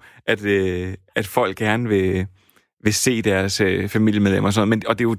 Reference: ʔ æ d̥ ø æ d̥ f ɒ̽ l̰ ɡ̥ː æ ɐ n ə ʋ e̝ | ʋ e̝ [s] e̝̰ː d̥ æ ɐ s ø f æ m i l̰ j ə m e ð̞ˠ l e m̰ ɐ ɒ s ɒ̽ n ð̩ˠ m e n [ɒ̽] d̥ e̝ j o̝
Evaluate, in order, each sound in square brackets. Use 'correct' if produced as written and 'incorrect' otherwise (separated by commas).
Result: correct, correct